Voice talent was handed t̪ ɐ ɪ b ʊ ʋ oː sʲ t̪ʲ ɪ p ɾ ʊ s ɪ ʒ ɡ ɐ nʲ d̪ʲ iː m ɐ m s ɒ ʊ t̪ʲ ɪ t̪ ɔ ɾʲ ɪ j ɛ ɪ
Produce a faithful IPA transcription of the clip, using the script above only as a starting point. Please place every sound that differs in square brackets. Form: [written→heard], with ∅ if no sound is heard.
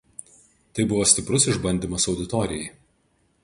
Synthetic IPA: t̪ ɐ ɪ b ʊ ʋ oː sʲ t̪ʲ ɪ p ɾ ʊ s ɪ ʒ [ɡ→b] ɐ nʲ d̪ʲ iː m ɐ [m→∅] s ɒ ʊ [t̪ʲ→d̪ʲ] ɪ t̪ ɔ ɾʲ ɪ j ɛ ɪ